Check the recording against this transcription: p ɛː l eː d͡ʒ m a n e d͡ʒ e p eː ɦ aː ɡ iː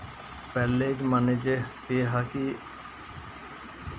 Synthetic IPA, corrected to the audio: p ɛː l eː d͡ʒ m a n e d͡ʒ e k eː ɦ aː k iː